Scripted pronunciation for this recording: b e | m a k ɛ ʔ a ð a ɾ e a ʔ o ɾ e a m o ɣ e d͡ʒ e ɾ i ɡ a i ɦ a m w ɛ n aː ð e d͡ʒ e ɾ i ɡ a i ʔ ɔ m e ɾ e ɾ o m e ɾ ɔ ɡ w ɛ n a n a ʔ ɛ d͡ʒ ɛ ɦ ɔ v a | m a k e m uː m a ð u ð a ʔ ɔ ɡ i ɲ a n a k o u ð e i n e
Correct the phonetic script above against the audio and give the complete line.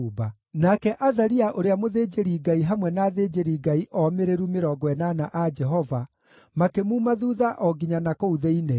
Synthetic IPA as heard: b a | n a k ɛ ʔ a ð a ɾ i a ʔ o ɾ e a m o ð e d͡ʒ e ɾ i ɡ a i ɦ a m w ɛ n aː ð e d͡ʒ e ɾ i ɡ a i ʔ ɔ m e ɾ e ɾ u m e ɾ ɔ ɡ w ɛ n a n a ʔ a d͡ʒ ɛ ɦ ɔ v a | m a k e m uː m a ð u ð a ʔ ɔ ɡ i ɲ a n a k o u ð e i n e

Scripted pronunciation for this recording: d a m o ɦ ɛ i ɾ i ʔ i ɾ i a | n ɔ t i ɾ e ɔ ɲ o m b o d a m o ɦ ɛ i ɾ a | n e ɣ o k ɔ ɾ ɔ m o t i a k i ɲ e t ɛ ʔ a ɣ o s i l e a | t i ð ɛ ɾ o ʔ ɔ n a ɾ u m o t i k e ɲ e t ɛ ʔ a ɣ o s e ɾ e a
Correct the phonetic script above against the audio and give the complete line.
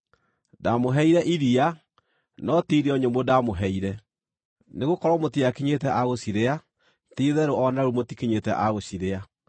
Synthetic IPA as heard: d a m o ɦ ɛ i ɾ ɛ ʔ i ɾ i a | n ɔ t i ɾ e ɔ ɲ o m b o d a m o ɦ ɛ i ɾ ɛ | n e ɣ o k ɔ ɾ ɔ m o t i a k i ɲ e t ɛ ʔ a ɣ o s i ɾ e a | t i ð ɛ ɾ o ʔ ɔ n a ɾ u m o t i k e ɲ e t ɛ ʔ a ɣ o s i ɾ e a

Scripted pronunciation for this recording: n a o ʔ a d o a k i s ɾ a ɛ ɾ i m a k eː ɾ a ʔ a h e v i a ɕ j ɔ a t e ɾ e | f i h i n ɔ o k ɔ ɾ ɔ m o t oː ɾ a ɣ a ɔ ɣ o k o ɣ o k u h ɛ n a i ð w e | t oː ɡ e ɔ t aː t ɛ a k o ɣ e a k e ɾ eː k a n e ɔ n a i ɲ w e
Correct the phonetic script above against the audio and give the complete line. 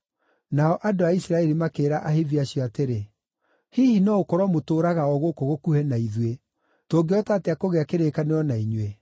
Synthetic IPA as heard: n a ɔ ʔ a d o a i s ɾ a ɛ ɾ i m a k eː ɾ a ʔ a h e v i a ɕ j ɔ a t e ɾ e | h i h i n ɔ o k ɔ ɾ ɔ m o t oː ɾ a ɣ a ɔ ɣ o k o ɣ o k u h ɛ n a i ð w e | t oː ɡ e ɔ t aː t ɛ a k o ɣ e a k e ɾ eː k a n e ɔ n a i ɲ w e

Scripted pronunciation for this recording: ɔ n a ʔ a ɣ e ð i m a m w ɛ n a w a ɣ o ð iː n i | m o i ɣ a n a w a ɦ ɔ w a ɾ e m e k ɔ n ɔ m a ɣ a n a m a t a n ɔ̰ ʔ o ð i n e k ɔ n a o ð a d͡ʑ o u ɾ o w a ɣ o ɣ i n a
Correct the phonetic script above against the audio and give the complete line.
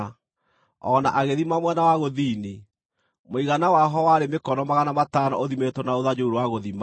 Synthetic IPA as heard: ɔ n a ʔ a ɣ e ð i m a m w ɛ n a w a ɣ o ð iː n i | m o i ɣ a n a w a ɦ ɔ w a ɾ e m e k ɔ n ɔ m a ɣ a n a m a t a n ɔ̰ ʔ o ð i m e t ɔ n a o ð a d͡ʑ o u ɾ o w a ɣ o ð i m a

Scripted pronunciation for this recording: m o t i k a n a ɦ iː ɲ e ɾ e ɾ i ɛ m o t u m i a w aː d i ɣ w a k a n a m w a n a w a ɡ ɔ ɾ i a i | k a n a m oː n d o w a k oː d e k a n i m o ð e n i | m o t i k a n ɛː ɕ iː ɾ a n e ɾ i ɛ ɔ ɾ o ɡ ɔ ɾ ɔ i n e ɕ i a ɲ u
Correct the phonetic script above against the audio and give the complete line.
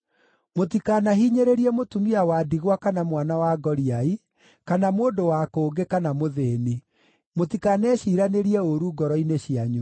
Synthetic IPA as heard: m o t i k a n a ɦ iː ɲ e ɾ e ɾ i ɛ m o t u m i a w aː d i ɣ w a k a n a m w a n a w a ɡ ɔ ɾ i a i | k a n a m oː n d o w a k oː ɡ e k a n a m o ð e n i | m o t i k a n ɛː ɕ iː ɾ a n e ɾ i ɛ o ɾ u ɡ ɔ ɾ ɔ i n e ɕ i a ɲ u

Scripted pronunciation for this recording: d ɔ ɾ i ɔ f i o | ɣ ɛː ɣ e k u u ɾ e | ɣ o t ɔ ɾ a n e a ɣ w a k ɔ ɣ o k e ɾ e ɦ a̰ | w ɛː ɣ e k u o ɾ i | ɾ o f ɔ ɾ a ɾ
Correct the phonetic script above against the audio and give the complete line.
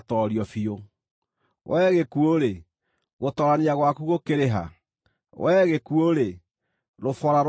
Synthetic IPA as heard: t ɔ ɾ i ɔ f i o | w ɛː ɣ e k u o ɾ e | ɣ o t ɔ ɾ a n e a ɣ w a k u ɣ o k e ɾ e ɦ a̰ | w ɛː ɣ e k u o ɾ e | ɾ o f ɔ ɾ a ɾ

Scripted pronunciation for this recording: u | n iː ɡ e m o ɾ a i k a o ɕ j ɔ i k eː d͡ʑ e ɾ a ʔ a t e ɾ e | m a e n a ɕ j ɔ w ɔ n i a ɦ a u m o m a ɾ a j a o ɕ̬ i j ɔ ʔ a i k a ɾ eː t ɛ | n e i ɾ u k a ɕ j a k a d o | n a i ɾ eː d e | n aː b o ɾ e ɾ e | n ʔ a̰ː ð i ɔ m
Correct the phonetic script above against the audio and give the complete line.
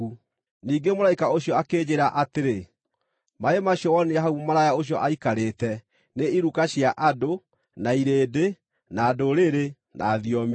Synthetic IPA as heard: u | n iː ɡ e m o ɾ a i k a o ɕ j ɔ a k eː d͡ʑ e ɾ a ʔ a t e ɾ e | m a e m a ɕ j ɔ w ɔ n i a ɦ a u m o m a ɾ a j a o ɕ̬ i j ɔ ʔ a i k a ɾ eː t ɛ | n e i ɾ u k a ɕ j a ʔ a d o | n a i ɾ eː d e | n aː d o ɾ e ɾ e | n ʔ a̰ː ð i ɔ m

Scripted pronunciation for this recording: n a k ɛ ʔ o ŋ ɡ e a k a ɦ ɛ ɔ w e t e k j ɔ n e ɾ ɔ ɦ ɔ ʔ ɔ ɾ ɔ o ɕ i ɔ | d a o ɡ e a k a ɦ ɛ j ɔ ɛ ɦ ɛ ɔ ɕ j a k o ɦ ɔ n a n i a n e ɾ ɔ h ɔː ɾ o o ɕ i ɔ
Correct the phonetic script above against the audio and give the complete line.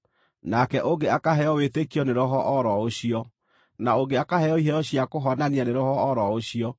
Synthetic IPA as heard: n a k ɛ ʔ o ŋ ɡ e a k a ɦ ɛ ɔ w e t e k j ɔ n e ɾ ɔ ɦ ɔ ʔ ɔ ɾ ɔ o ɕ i ɔ | n a o ɡ e a k a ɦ ɛ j ɔ i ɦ ɛ ɔ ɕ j a k o ɦ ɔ n a n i a n e ɾ ɔ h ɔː ɾ ɔ o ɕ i ɔ

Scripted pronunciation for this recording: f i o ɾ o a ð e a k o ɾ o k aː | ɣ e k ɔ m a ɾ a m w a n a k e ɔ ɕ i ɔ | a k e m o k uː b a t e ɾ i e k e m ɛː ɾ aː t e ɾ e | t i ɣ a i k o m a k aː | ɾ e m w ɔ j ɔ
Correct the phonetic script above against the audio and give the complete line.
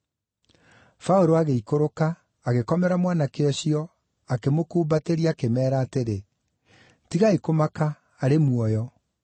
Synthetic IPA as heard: f a o ɾ o a ɣ e i k o ɾ o k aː | ɣ e k ɔ m ɛ ɾ a m w a n a k e ɔ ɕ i ɔ | a k e m o k uː b a t e ɾ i a k e m ɛː ɾ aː t e ɾ e | t i ɣ a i k o m a k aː | ɾ e m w ɔ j ɔ

